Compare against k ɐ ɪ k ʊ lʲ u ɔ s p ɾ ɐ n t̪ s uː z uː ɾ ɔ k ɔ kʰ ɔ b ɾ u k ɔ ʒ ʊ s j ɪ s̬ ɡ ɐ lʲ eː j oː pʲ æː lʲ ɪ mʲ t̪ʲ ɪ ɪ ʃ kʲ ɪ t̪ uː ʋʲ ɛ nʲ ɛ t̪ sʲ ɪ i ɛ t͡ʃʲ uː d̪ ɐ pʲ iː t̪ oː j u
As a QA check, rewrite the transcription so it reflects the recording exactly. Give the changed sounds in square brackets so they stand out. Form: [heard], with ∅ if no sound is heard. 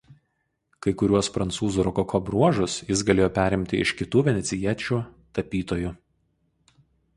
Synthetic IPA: k ɐ ɪ k ʊ [ɾʲ] u ɔ s p ɾ ɐ n t̪ s uː z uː ɾ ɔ k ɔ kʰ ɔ b ɾ u [∅] ɔ ʒ ʊ s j ɪ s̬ ɡ ɐ lʲ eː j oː pʲ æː [ɾʲ] ɪ mʲ t̪ʲ ɪ ɪ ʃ kʲ ɪ t̪ uː ʋʲ ɛ nʲ ɛ t̪ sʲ ɪ i ɛ t͡ʃʲ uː [t̪] ɐ pʲ iː t̪ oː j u